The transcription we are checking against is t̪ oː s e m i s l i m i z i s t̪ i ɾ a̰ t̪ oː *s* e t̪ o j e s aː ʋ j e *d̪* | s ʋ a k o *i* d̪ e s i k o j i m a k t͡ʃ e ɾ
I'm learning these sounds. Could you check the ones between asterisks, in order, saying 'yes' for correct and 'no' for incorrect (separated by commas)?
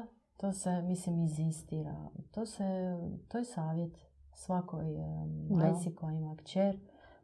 yes, no, no